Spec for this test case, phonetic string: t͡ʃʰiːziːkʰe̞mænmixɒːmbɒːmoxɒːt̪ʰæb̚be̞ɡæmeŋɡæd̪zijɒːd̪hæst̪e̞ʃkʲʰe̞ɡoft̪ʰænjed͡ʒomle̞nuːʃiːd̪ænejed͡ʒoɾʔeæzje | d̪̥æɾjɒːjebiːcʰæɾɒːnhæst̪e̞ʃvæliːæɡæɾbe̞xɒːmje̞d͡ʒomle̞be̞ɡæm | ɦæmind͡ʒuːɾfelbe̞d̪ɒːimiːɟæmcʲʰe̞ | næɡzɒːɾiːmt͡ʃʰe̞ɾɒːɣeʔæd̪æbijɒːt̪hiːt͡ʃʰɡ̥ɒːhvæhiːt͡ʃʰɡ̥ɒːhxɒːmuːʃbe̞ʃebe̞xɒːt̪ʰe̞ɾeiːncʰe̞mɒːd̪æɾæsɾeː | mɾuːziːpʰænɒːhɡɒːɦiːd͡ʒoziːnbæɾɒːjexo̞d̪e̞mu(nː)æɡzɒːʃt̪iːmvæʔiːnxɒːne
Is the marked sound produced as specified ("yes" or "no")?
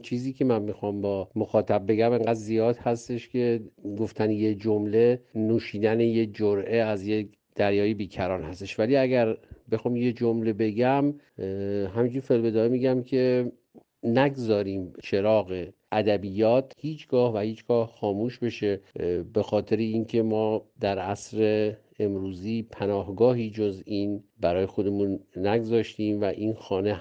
yes